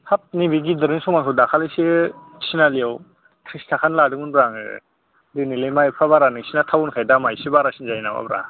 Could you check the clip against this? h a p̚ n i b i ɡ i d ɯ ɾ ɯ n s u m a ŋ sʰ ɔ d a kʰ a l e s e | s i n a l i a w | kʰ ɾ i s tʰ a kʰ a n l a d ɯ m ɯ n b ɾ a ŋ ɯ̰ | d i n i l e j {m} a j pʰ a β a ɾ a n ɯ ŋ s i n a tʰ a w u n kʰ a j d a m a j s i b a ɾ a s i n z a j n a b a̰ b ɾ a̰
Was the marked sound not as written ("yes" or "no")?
no